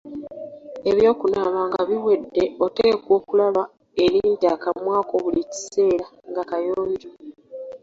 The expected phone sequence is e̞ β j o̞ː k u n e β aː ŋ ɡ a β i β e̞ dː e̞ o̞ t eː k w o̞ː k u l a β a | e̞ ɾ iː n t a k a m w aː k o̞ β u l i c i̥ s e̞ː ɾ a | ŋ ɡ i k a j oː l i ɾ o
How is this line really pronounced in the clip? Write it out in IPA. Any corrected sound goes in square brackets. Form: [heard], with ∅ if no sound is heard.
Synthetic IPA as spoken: e̞ β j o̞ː k u n [a] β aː ŋ ɡ a β i [w] e̞ dː e̞ o̞ t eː k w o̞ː k u l a β a | e̞ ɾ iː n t a k a m w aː k o̞ β u l i c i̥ s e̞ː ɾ a | ŋ ɡ [a] k a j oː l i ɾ o